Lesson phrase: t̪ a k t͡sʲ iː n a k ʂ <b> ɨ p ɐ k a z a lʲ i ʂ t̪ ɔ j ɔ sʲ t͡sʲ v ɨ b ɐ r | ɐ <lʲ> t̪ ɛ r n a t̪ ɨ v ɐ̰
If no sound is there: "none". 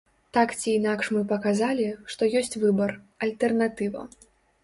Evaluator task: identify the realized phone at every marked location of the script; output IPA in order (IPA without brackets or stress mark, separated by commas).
m, lʲ